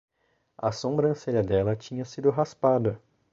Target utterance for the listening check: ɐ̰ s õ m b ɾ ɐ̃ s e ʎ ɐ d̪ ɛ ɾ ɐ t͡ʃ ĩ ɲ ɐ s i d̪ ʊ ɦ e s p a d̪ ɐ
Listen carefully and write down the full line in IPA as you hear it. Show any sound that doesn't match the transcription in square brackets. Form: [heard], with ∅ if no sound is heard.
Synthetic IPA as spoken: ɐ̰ s õ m b ɾ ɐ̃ s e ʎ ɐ d̪ ɛ [l] ɐ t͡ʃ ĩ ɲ ɐ s i d̪ ʊ ɦ [a] s p a d̪ ɐ